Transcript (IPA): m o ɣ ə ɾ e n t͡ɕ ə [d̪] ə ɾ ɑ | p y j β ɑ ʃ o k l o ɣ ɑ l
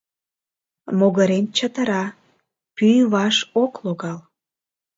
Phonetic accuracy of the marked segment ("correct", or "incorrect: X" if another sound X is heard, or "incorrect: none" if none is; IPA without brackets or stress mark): incorrect: t̪